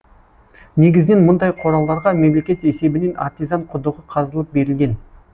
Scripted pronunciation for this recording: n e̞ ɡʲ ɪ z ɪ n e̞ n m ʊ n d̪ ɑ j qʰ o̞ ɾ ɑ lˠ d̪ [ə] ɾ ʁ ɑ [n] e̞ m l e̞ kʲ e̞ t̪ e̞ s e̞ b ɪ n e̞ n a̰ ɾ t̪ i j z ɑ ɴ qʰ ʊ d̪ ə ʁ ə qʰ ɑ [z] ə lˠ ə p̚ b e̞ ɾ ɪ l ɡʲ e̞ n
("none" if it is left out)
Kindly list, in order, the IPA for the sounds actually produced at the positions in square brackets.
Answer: ɑ, m, z

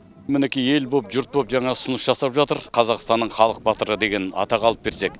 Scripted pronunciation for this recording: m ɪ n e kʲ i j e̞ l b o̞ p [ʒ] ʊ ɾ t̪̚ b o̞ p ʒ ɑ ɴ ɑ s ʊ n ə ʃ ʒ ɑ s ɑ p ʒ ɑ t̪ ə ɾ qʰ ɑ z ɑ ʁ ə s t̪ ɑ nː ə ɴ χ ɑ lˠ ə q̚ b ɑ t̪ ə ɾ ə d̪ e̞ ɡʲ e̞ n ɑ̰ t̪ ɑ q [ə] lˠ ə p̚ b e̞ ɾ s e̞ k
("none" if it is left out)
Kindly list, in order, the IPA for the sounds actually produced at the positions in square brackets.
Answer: ʒ, ɑ

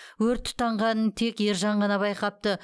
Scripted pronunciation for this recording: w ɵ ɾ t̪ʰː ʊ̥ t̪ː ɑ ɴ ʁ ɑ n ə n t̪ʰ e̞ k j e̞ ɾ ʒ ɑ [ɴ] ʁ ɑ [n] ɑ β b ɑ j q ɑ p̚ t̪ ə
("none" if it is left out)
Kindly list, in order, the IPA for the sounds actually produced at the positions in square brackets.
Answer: ɴ, n

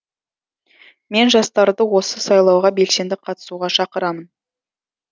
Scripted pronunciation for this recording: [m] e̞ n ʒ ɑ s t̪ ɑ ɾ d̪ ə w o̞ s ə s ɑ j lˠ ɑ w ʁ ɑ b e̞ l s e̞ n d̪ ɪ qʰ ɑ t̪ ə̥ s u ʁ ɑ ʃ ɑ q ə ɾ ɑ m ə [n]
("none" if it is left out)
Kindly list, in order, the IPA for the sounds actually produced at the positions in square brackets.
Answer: m, n

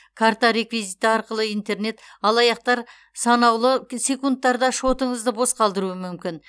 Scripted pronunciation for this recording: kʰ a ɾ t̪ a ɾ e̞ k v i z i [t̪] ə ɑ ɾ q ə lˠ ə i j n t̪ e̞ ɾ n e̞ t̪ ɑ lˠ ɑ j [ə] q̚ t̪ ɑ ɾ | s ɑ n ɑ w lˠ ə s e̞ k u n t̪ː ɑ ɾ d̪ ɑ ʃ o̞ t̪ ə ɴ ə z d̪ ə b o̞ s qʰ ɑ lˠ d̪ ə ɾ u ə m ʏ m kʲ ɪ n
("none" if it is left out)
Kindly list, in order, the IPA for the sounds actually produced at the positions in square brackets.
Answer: t̪, ɑ

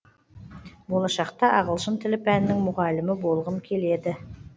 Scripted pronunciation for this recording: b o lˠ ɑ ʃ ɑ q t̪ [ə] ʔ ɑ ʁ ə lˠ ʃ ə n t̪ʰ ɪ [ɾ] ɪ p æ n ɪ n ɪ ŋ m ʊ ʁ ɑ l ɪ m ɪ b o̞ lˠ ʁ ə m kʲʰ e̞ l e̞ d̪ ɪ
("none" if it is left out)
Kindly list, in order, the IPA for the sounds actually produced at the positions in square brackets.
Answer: ɑ, l

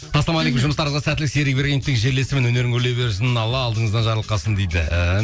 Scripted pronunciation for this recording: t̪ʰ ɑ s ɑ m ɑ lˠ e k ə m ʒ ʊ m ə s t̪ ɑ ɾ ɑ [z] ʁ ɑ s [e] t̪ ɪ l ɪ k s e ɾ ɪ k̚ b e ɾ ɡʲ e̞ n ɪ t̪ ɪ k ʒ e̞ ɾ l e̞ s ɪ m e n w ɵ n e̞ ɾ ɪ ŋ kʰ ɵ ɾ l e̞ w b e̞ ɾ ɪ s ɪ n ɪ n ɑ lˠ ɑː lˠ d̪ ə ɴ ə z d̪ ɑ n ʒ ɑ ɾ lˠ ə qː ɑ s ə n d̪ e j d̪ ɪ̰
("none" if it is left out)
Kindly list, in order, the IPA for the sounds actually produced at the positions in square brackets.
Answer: z, æ

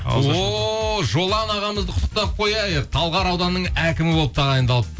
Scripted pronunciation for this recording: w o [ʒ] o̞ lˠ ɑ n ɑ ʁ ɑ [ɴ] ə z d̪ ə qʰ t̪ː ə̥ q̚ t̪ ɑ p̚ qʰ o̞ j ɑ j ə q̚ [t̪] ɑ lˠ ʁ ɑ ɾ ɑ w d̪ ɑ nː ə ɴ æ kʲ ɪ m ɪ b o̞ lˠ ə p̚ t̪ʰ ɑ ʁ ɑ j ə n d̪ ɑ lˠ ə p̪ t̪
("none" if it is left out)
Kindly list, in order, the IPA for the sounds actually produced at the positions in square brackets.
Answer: ʒ, m, t̪ʰ

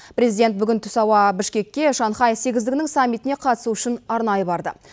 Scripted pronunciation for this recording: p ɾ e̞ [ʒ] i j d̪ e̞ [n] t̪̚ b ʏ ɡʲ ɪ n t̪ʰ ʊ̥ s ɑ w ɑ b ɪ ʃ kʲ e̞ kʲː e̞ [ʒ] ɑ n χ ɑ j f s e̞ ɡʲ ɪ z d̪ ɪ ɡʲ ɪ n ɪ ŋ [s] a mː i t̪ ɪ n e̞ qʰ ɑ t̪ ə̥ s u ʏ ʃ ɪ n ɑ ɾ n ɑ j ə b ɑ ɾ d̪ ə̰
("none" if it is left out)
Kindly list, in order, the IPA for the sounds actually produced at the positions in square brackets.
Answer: z, n, ʃ, s

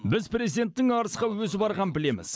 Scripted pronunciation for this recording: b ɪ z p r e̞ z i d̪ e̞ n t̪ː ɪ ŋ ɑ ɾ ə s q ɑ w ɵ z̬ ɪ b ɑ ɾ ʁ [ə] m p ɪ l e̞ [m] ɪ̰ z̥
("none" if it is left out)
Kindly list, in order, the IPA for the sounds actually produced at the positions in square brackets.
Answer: ɑ, m

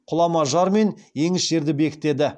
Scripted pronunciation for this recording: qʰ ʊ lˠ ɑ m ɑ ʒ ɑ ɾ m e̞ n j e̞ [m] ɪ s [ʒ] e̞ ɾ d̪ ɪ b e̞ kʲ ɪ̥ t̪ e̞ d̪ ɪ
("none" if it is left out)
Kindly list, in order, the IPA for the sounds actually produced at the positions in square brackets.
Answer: ŋ, ʒ

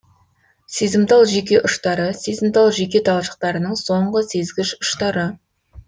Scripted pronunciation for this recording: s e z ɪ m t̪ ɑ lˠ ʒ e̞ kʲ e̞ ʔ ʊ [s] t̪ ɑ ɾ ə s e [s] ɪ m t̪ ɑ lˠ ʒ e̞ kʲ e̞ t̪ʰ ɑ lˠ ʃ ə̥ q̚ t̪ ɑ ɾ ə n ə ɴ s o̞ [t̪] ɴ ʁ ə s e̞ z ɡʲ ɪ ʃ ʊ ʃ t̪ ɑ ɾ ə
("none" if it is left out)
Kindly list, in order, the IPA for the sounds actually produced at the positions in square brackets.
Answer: ʃ, z, none

